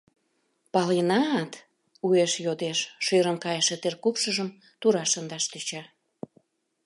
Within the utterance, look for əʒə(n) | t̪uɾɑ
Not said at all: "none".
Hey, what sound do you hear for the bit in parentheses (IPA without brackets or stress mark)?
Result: m